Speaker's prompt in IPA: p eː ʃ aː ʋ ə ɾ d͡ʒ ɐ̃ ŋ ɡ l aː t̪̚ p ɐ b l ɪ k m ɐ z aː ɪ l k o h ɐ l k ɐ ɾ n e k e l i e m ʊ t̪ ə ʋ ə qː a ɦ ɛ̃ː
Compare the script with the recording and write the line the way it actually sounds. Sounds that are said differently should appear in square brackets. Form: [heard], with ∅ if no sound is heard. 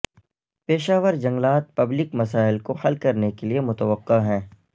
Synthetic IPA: p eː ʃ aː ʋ ə ɾ d͡ʒ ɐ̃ ŋ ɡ l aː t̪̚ p ɐ b l ɪ k m ɐ [s] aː ɪ l k o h ɐ l k ɐ ɾ n e k e l i e m ʊ t̪ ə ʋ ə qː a ɦ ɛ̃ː